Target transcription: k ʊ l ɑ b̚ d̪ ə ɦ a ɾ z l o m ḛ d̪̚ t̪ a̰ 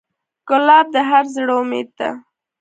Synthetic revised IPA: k ʊ l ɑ b̚ d̪ ə ɦ a ɾ z ɽ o m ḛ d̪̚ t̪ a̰